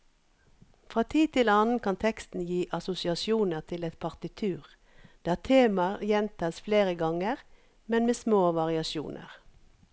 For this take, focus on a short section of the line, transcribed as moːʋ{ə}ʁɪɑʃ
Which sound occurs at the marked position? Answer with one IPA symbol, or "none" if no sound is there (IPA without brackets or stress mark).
ɑ